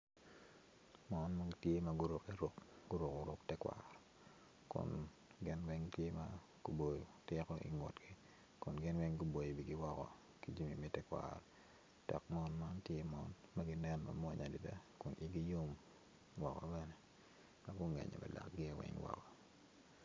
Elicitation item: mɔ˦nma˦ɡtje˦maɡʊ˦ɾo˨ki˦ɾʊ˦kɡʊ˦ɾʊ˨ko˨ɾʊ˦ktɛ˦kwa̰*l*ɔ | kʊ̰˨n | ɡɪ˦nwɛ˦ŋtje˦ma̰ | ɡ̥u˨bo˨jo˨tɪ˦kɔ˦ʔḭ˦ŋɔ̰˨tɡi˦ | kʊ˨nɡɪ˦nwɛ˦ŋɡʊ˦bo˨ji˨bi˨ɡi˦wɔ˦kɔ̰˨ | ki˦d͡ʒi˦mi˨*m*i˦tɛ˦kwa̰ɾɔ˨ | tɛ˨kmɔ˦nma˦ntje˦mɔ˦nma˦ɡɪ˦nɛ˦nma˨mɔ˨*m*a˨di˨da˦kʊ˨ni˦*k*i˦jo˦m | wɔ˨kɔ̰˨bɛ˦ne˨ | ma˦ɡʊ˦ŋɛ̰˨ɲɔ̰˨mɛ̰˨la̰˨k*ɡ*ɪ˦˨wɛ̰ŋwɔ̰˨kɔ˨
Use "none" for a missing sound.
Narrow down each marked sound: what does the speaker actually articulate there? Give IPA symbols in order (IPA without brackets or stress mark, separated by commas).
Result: ɾ, m, ɲ, ɡ, ɡ